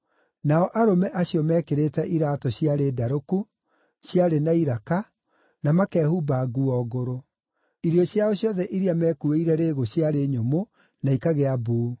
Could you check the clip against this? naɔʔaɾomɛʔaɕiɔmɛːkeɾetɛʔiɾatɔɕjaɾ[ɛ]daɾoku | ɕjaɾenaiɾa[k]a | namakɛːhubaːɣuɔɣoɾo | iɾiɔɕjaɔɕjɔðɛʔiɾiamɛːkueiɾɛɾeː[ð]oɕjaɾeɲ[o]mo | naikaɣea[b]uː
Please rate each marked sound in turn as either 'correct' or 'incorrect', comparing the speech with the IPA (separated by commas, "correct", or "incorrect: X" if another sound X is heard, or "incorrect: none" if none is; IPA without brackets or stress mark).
incorrect: e, correct, incorrect: ɣ, correct, correct